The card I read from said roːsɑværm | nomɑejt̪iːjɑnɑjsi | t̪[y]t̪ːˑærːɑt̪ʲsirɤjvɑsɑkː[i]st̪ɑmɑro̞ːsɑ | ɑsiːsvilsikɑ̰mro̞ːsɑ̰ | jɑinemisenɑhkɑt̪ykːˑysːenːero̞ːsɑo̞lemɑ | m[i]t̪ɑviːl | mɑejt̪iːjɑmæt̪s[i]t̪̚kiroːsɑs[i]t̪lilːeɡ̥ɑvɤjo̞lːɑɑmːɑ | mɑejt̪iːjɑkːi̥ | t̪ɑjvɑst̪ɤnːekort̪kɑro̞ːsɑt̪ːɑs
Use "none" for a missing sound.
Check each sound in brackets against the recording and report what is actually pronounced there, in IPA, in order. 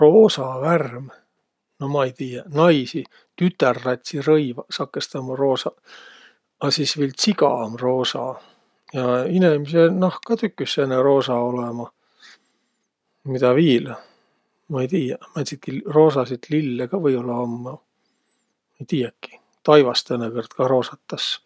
y, e, i, i, i

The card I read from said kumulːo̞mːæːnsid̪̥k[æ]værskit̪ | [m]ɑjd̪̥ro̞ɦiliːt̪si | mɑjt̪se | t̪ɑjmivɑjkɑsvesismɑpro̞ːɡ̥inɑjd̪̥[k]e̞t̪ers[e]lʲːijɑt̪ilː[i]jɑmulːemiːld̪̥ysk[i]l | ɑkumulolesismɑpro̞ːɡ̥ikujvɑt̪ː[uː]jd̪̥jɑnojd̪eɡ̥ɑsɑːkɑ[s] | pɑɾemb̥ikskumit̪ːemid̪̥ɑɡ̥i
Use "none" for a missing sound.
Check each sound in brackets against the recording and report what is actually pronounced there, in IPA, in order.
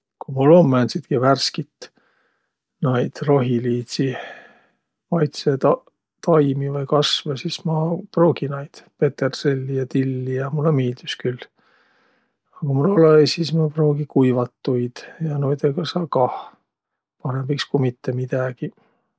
i, n, p, e, i, y, u, h

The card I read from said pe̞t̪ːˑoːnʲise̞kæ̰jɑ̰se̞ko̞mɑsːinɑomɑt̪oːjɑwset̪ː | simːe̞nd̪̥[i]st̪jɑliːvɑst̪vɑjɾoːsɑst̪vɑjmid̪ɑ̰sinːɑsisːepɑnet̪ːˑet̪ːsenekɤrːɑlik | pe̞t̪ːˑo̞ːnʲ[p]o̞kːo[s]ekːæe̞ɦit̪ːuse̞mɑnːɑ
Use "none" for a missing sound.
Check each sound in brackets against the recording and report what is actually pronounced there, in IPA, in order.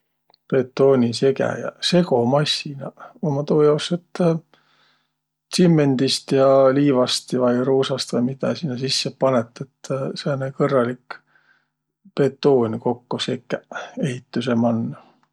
i, k, s

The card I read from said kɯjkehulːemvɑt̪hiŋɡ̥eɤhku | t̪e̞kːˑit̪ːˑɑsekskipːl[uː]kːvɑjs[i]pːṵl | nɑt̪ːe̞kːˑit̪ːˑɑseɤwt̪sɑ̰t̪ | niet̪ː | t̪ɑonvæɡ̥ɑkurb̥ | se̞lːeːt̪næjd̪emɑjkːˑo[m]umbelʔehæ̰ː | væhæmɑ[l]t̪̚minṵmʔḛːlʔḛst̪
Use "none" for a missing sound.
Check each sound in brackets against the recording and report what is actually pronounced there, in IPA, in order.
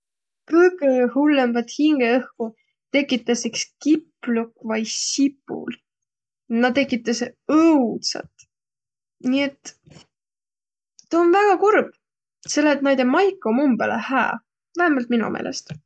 u, i, m, l

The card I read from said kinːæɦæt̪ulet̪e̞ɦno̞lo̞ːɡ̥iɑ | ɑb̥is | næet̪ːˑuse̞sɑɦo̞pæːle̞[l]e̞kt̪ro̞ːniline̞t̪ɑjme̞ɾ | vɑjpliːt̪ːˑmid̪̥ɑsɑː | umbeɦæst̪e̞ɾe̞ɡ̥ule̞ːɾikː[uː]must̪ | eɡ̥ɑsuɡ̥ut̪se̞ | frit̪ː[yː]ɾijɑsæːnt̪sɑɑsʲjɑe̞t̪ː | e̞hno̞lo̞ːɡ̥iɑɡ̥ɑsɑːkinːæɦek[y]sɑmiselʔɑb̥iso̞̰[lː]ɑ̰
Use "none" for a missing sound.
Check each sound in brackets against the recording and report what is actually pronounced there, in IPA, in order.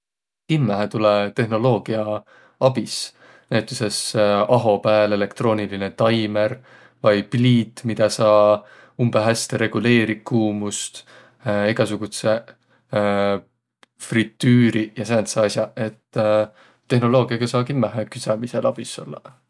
l, uː, yː, y, lː

